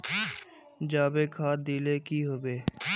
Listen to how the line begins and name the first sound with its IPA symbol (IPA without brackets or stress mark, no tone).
d͡ʒ